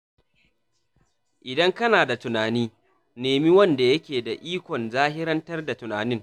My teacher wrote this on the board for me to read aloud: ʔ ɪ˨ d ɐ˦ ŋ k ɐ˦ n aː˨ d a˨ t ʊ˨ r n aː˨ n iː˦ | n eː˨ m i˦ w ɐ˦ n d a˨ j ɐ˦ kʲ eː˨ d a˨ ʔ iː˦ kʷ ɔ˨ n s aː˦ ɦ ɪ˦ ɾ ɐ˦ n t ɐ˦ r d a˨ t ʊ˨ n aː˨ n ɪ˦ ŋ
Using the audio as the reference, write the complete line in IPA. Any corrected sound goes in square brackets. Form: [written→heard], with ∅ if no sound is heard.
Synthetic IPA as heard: ʔ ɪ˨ d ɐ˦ ŋ k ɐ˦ n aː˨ d a˨ t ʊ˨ [r→∅] n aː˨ n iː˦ | n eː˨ m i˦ w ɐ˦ n d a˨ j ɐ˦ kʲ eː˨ d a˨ ʔ iː˦ kʷ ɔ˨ n [s→z] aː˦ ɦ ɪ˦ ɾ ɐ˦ n t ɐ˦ r d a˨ t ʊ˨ n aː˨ n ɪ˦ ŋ